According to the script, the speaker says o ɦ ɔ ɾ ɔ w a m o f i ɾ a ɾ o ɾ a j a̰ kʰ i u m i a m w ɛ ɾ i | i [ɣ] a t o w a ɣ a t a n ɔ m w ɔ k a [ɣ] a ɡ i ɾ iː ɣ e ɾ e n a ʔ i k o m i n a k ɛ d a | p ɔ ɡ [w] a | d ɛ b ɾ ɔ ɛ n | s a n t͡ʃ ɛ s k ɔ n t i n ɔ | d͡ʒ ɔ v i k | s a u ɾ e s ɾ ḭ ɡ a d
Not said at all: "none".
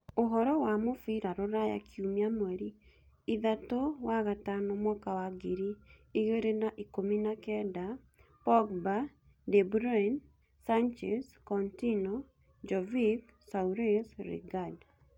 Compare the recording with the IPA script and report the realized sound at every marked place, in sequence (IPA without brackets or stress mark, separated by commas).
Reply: ð, w, b